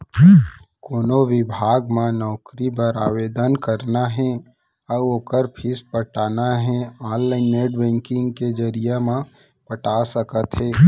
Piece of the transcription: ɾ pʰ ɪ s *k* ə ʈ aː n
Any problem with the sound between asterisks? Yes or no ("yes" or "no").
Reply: yes